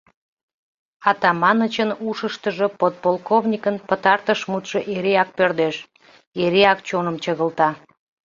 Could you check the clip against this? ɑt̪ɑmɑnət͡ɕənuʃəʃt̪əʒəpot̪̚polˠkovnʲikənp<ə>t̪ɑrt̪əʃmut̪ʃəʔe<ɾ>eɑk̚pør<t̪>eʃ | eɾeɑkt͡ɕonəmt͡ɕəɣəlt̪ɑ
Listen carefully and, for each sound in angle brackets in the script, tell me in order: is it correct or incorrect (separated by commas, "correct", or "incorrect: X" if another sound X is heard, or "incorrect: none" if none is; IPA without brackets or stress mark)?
correct, correct, incorrect: d̪